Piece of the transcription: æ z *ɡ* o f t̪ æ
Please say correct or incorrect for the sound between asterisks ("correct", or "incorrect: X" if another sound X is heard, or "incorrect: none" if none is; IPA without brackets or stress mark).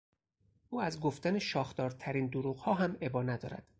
correct